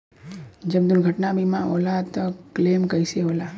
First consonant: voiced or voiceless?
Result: voiced